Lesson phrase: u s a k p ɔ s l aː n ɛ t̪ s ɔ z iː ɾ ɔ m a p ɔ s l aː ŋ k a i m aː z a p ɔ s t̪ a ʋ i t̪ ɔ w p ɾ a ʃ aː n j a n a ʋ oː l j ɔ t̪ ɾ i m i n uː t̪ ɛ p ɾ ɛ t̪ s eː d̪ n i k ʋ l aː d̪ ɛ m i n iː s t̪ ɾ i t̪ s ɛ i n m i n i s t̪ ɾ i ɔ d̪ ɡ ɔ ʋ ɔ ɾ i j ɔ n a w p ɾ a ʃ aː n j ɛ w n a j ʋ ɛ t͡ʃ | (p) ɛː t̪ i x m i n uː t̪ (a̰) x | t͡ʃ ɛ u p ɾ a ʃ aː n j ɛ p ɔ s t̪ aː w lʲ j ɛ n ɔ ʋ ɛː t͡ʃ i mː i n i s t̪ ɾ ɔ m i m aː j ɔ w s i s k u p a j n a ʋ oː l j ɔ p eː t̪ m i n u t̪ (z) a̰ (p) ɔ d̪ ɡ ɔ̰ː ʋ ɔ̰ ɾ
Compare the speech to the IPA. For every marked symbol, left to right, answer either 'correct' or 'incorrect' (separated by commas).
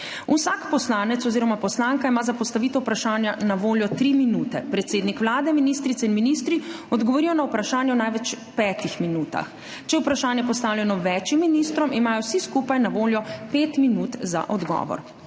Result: correct, correct, correct, incorrect